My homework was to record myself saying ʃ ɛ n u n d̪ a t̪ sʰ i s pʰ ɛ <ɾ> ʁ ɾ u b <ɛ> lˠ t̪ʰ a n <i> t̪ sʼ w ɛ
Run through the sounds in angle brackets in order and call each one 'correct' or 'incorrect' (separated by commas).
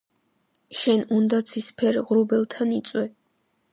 correct, correct, correct